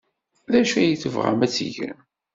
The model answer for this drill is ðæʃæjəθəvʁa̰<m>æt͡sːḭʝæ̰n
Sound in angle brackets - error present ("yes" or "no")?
no